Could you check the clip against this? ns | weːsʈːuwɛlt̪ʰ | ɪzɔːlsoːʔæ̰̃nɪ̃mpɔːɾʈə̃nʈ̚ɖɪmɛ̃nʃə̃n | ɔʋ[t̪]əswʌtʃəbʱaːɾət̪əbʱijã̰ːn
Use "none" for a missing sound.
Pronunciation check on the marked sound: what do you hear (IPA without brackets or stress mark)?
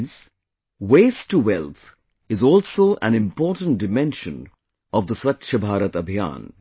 d̪